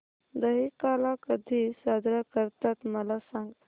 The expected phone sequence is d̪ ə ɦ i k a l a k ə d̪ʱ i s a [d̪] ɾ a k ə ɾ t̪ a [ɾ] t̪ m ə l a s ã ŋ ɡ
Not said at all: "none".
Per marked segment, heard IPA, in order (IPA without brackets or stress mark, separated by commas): d̪, none